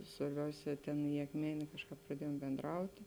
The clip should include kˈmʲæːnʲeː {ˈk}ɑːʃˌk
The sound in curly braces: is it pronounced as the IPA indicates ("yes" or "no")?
yes